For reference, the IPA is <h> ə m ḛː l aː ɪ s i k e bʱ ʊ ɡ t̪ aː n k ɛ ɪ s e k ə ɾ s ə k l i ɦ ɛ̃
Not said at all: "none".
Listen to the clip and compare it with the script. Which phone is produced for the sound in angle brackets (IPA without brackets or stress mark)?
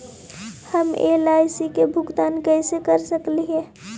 h